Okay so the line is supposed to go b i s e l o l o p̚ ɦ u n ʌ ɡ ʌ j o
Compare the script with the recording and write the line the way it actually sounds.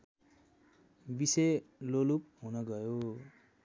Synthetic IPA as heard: b i s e l o l u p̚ ɦ u n ʌ ɡ ʌ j o

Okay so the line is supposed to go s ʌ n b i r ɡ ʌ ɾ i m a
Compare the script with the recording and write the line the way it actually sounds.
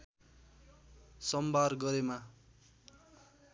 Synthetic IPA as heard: s ʌ m b a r ɡ ʌ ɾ e m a

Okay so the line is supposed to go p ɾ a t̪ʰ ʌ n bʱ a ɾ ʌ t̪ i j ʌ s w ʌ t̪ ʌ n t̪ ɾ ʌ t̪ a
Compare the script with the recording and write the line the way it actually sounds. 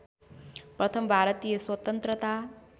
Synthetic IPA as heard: p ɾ ʌ t̪ʰ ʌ m bʱ a ɾ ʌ t̪ i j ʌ s w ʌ t̪ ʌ n t̪ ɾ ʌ t̪ a

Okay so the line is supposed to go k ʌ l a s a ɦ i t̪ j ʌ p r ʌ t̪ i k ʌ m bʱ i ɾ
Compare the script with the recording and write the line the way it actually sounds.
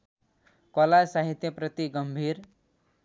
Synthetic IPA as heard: k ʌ l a s a ɦ i t̪ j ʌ p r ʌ t̪ i ɡ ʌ m bʱ i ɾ

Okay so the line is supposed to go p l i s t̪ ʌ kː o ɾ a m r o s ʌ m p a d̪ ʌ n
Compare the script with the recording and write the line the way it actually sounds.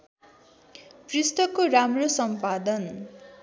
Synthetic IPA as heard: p r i s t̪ ʌ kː o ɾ a m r o s ʌ m p a d̪ ʌ n

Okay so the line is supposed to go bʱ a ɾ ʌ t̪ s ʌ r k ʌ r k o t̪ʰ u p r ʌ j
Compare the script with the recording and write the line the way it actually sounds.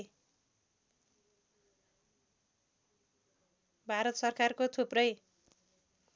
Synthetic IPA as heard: bʱ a ɾ ʌ t̪ s ʌ r k a r k o t̪ʰ u p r ʌ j

